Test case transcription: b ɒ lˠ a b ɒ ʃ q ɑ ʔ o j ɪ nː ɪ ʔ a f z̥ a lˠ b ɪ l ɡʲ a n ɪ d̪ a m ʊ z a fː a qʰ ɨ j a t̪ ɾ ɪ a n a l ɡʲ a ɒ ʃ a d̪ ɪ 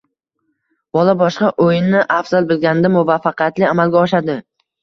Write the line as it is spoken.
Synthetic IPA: b ɒ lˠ a b ɒ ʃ q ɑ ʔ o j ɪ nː ɪ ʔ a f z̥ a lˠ b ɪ l ɡʲ a n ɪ d̪ a m ʊ v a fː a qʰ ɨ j a t̪ l ɪ a m a l ɡʲ a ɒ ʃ a d̪ ɪ

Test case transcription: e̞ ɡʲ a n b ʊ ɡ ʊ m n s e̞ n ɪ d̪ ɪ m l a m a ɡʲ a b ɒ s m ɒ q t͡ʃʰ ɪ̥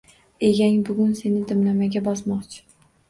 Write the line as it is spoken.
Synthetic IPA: e̞ ɡʲ a ŋ b ʊ ɡ ʊ n s e̞ n ɪ d̪ ɪ m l a m a ɡʲ a b ɒ s m ɒ q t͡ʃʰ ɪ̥

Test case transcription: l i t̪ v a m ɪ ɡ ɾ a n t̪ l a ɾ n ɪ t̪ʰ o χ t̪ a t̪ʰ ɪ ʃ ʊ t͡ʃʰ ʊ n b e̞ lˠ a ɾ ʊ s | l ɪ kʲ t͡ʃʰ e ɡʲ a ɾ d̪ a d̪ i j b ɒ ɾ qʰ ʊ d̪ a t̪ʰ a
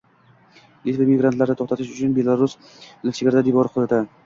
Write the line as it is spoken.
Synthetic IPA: l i t̪ v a m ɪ ɡ ɾ a n t̪ l a ɾ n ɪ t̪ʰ o χ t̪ a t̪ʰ ɪ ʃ ʊ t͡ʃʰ ʊ n b e̞ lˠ a ɾ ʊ s | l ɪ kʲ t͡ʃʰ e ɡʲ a ɾ d̪ a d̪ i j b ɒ ɾ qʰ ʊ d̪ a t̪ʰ a

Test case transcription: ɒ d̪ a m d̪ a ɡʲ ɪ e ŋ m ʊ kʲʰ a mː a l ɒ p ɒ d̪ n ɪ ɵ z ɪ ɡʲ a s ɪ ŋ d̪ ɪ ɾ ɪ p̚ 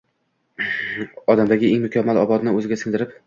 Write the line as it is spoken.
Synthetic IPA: ɒ d̪ a m d̪ a ɡʲ ɪ e ŋ m ʊ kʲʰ a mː a l ɒ b ɒ d̪ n ɪ ɵ z ɪ ɡʲ a s ɪ ŋ d̪ ɪ ɾ ɪ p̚

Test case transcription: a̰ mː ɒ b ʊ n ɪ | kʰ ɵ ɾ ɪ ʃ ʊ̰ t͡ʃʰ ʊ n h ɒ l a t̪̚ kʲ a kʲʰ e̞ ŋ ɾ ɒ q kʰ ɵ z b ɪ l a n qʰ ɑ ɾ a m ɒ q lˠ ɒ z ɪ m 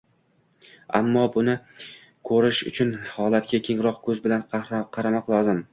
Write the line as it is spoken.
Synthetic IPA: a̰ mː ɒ b ʊ n ɪ | kʰ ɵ ɾ ɪ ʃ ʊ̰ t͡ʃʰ ʊ n h ɒ l a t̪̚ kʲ a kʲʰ e̞ ŋ ɾ ɒ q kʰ ɵ z b ɪ l a n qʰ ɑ ɾ a m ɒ q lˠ ɒ z ɪ m

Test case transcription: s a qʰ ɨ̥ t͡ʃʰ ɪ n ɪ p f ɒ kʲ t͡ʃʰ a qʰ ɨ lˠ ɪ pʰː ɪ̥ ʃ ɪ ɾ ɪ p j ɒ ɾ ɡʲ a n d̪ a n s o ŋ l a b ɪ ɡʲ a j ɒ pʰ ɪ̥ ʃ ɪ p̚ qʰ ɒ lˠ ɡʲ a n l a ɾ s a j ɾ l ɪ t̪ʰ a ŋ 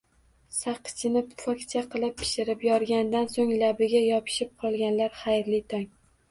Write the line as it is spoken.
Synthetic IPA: s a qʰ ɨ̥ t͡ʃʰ ɪ n ɪ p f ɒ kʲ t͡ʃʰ a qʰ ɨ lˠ ɪ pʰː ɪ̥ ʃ ɪ ɾ ɪ p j ɒ ɾ ɡʲ a n d̪ a n s o ŋ l a b ɪ ɡʲ a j ɒ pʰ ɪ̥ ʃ ɪ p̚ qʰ ɒ lˠ ɡʲ a n l a ɾ χ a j ɾ l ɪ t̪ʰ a ŋ

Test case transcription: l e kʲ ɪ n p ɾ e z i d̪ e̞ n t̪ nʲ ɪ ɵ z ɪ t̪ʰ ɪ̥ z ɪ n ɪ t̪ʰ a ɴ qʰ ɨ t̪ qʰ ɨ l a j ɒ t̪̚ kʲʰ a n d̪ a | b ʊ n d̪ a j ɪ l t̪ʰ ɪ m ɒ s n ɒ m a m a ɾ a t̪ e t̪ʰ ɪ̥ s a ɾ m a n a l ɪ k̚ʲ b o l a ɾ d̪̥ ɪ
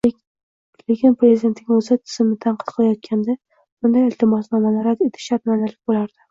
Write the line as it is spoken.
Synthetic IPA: l e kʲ ɪ n p ɾ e z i d̪ e̞ n t̪ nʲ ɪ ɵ z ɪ t̪ʰ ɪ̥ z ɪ m ɪ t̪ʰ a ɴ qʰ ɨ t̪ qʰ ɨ l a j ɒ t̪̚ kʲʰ a n d̪ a | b ʊ n d̪ a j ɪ l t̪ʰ ɪ m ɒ s n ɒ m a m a ɾ a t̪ e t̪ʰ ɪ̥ ʃ a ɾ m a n a l ɪ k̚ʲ b o l a ɾ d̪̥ ɪ

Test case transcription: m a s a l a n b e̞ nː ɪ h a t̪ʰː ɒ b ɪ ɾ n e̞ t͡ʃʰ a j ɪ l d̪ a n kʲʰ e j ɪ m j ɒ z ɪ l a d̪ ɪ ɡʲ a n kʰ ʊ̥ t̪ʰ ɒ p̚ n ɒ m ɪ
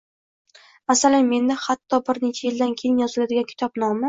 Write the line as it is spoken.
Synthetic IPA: m a s a l a n m e̞ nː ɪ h a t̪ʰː ɒ b ɪ ɾ n e̞ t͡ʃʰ a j ɪ l d̪ a n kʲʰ e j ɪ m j ɒ z ɪ l a d̪ ɪ ɡʲ a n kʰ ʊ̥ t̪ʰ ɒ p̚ n ɒ m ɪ

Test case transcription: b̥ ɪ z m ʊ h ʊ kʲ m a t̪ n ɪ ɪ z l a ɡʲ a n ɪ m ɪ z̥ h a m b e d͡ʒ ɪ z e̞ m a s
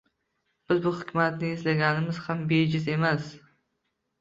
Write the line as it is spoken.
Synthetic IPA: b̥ ɪ z b ʊ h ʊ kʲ m a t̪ n ɪ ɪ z l a ɡʲ a n ɪ m ɪ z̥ h a m b e d͡ʒ ɪ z e̞ m a s

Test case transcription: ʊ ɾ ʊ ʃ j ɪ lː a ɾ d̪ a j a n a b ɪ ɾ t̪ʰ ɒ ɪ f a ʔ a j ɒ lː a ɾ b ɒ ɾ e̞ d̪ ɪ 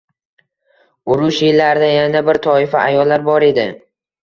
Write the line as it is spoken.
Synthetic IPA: ʊ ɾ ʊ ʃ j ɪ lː a ɾ d̪ a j a n a b ɪ ɾ t̪ʰ ɒ ɪ f a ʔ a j ɒ lː a ɾ b ɒ ɾ e̞ d̪ ɪ

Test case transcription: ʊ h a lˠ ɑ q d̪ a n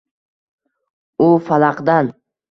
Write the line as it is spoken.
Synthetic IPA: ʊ f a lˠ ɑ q d̪ a n

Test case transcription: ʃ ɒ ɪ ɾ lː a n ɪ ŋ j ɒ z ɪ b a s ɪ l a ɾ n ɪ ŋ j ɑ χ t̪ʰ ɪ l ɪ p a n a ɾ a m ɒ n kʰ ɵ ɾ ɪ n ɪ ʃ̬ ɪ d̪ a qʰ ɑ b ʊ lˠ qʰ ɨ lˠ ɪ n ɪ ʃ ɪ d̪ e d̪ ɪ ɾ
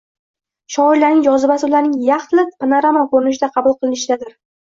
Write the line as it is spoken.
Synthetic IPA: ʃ ɒ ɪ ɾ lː a n ɪ ŋ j ɒ z ɪ b a s ɪ l a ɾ n ɪ ŋ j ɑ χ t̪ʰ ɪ l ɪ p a n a ɾ a m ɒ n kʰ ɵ ɾ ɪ n ɪ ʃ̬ ɪ d̪ a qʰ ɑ b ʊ lˠ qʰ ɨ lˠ ɪ n ɪ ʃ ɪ d̪ a d̪ ɪ ɾ

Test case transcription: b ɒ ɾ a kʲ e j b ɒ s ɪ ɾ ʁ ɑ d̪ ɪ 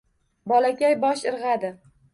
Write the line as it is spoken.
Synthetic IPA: b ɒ l a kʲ a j b ɒ ʃ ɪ ɾ ʁ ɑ d̪ ɪ

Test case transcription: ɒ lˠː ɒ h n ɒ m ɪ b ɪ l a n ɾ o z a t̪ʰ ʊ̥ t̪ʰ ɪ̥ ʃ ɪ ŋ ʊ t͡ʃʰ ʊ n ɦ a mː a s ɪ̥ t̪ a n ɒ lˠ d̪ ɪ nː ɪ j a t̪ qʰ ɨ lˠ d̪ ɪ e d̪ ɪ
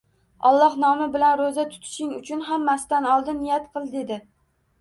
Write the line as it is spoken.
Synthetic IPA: ɒ lˠː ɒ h n ɒ m ɪ b ɪ l a n ɾ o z a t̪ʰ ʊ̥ t̪ʰ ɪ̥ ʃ ɪ ŋ ʊ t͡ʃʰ ʊ n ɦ a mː a s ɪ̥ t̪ a n ɒ lˠ d̪ ɪ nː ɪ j a t̪ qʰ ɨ lˠ d̪ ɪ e d̪ ɪ

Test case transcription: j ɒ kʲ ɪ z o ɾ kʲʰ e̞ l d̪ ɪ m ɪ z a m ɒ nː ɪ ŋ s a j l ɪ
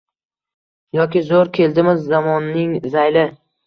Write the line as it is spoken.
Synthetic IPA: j ɒ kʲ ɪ z o ɾ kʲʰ e̞ l d̪ ɪ m ɪ zː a m ɒ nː ɪ ŋ z a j l ɪ

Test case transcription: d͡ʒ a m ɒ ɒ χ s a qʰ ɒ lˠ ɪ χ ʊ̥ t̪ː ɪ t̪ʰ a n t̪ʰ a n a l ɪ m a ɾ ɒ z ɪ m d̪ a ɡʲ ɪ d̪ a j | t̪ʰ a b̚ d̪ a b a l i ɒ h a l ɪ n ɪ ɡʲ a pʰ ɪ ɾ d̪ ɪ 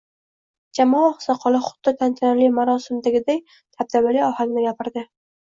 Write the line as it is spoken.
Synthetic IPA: d͡ʒ a m ɒ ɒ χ s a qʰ ɒ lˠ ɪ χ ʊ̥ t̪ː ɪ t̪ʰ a n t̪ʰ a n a l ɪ m a ɾ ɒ s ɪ m d̪ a ɡʲ ɪ d̪ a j | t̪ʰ a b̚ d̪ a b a l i ɒ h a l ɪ n ɪ ɡʲ a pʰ ɪ ɾ d̪ ɪ

